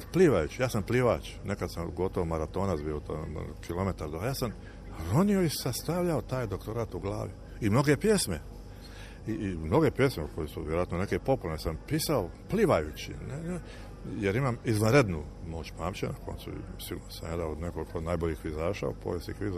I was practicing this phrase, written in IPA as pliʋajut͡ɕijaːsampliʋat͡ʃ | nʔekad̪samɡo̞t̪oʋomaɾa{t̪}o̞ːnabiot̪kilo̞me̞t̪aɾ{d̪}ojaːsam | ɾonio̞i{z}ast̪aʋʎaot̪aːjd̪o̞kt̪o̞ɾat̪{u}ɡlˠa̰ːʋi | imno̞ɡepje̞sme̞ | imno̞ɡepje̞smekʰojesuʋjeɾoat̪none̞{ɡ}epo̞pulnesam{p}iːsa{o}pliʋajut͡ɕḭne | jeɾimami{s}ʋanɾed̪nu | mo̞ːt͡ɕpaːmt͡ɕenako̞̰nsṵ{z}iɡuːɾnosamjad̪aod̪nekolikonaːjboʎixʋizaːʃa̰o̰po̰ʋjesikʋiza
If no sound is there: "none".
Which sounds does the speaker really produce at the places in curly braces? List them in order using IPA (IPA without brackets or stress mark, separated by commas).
t̪, d̪, s, u, k, p, o, z, s